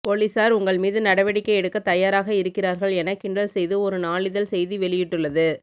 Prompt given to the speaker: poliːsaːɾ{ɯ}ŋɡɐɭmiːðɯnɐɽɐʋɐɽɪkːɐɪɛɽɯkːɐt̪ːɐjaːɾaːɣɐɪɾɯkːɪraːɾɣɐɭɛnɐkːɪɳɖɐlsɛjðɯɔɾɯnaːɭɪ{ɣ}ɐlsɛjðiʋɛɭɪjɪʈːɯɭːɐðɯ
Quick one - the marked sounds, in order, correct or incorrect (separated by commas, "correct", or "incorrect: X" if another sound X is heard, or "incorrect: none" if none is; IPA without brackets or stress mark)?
incorrect: ʊ, incorrect: ð